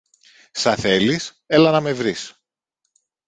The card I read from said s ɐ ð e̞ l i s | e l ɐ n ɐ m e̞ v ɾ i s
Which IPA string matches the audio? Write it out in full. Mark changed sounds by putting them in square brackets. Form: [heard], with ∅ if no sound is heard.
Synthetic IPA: s ɐ [θ] e̞ l i s | e l ɐ n ɐ m e̞ v ɾ i s